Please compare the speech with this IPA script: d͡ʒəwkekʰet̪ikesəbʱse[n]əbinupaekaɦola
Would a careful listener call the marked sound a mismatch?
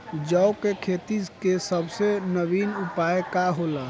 no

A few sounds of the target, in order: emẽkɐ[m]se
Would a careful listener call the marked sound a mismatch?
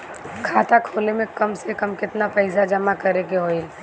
no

